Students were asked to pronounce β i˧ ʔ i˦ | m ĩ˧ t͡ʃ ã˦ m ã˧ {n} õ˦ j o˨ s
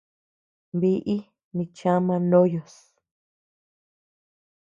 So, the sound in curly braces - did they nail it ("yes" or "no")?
yes